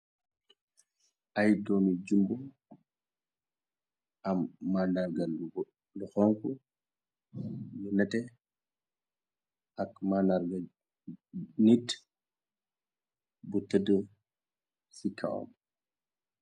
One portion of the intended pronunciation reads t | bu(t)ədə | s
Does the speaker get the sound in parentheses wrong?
no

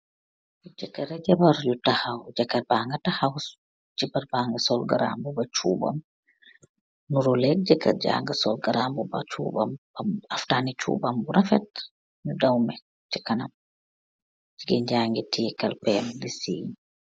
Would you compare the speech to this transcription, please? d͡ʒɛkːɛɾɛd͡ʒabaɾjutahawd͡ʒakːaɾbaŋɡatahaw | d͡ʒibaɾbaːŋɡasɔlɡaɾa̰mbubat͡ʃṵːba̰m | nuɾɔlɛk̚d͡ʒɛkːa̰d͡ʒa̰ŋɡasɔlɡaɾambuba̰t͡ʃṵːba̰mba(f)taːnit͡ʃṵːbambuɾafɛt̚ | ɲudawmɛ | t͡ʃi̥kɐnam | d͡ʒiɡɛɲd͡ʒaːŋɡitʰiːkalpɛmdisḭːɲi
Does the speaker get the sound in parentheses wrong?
no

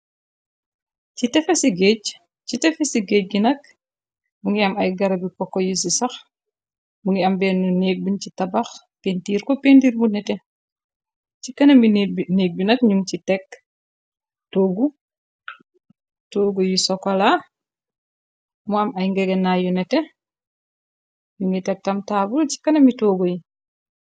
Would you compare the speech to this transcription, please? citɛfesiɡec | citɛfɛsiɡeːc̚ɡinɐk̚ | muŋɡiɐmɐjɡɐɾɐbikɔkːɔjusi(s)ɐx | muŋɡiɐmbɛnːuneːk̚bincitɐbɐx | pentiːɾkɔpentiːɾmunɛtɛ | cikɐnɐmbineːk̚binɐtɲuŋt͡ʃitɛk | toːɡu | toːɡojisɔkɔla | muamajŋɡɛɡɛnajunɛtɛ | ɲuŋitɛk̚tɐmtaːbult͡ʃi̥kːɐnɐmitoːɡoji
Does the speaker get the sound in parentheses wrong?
no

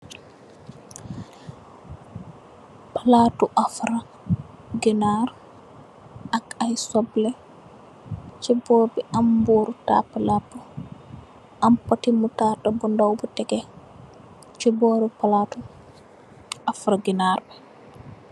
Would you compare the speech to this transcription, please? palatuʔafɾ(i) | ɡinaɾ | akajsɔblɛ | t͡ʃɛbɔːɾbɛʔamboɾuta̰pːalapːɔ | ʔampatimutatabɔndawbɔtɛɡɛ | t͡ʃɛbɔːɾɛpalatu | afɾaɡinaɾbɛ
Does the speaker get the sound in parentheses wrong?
yes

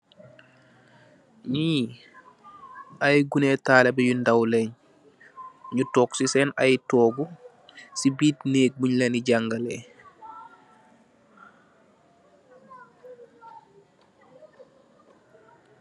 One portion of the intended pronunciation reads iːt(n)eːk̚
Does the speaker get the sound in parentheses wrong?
no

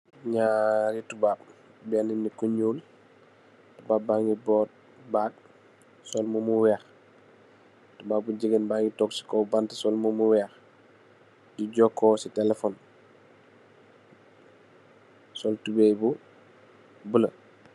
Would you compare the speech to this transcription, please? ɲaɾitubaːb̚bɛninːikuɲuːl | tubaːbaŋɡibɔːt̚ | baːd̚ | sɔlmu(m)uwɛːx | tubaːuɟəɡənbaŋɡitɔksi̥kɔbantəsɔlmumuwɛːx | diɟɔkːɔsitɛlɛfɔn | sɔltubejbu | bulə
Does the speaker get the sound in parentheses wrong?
no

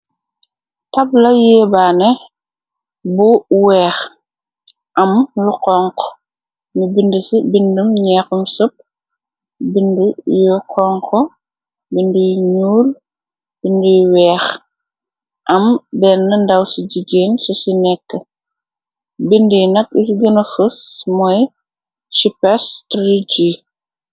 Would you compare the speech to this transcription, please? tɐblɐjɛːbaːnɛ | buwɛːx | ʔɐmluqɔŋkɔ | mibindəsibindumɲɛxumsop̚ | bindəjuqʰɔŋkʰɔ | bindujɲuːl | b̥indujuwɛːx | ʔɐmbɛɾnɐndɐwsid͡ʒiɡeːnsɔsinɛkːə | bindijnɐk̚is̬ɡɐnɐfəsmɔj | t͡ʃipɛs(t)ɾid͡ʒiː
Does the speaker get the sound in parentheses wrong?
no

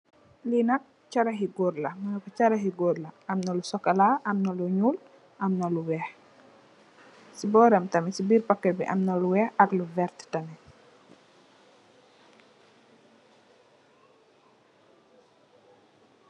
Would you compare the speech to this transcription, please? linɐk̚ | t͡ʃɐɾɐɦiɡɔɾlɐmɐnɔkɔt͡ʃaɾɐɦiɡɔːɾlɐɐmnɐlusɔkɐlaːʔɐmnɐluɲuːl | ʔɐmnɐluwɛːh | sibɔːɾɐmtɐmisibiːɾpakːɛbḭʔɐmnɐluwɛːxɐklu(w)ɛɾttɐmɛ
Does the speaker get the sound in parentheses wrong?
yes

